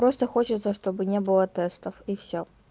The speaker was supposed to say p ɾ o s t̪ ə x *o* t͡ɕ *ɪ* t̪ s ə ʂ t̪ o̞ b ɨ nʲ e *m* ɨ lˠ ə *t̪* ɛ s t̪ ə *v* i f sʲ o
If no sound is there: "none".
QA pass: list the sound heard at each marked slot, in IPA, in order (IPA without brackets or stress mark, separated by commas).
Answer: o, ɪ, b, t̪, f